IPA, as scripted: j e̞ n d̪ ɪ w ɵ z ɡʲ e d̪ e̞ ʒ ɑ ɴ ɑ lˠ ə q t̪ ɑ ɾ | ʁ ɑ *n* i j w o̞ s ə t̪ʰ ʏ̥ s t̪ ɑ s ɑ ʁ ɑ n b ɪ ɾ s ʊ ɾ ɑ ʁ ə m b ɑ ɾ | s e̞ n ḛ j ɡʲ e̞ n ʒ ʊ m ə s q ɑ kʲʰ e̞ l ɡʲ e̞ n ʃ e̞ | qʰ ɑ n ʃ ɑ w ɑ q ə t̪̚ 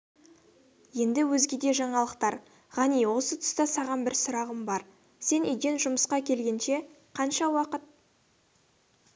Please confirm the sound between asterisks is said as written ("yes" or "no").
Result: yes